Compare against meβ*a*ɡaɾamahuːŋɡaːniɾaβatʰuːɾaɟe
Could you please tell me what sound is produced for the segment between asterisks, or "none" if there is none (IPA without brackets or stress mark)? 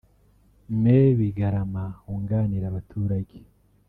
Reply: i